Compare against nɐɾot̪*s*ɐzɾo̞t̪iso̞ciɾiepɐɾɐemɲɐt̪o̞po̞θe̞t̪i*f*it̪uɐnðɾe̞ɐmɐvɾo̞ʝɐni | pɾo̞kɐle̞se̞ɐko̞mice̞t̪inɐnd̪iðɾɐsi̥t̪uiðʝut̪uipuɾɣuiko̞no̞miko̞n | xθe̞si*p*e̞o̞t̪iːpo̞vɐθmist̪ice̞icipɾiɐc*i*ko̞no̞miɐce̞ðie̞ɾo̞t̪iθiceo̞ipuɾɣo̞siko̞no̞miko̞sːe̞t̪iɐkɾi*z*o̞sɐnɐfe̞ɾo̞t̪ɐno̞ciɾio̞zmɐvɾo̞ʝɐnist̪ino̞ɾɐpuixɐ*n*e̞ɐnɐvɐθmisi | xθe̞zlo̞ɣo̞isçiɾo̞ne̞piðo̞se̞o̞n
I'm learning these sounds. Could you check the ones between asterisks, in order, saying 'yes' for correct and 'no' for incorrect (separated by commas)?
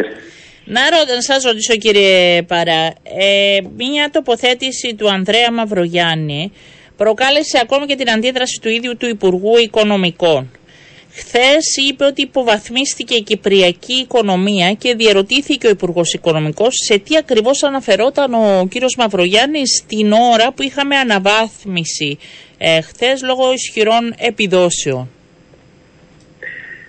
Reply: yes, no, yes, no, no, no